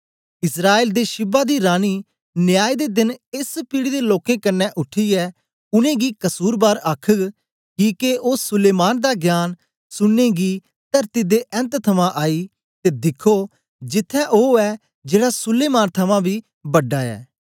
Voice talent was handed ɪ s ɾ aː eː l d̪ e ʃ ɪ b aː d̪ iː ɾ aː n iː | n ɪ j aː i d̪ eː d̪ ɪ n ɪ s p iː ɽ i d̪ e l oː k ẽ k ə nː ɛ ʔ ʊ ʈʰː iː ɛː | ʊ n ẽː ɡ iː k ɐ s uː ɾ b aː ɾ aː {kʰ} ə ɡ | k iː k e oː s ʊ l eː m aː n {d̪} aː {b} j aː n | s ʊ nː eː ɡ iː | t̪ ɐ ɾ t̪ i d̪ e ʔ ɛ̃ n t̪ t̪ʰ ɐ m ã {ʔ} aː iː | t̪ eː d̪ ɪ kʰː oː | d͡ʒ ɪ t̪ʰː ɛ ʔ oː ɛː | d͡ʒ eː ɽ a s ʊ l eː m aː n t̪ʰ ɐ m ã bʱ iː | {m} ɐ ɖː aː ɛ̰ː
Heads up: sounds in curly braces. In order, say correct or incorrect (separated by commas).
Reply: correct, correct, incorrect, correct, incorrect